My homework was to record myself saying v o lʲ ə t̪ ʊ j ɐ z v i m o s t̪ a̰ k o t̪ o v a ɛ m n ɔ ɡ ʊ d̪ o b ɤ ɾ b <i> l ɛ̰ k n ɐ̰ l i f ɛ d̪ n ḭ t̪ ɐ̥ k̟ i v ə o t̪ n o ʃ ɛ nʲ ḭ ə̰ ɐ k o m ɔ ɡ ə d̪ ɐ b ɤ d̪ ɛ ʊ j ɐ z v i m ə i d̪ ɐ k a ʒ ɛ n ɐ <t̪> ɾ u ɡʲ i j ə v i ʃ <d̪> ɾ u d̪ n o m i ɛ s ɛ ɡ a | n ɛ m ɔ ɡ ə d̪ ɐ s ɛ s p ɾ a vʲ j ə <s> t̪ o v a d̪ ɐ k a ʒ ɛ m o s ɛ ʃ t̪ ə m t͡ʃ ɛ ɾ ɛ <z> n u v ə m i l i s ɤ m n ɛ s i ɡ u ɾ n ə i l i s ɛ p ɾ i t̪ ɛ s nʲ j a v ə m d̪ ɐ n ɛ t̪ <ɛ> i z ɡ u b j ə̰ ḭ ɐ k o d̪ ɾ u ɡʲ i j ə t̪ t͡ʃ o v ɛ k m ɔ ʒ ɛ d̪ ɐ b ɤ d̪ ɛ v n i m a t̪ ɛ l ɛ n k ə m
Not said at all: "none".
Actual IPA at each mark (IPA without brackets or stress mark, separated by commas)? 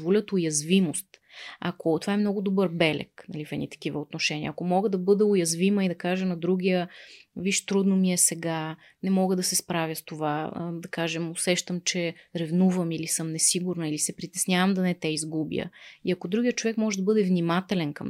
ɛ, d̪, t̪, s, v, ɛ